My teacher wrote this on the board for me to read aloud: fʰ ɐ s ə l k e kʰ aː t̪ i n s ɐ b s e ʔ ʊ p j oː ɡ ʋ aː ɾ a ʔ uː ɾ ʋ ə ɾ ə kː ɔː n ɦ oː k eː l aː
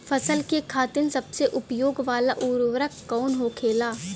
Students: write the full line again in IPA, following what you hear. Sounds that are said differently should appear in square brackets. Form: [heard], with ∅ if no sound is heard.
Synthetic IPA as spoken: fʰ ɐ s ə l k e kʰ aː t̪ [ɪ] n s ɐ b s e ʔ ʊ p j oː ɡ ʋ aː [l] a ʔ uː ɾ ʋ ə ɾ ə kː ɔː n ɦ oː [kʰ] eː l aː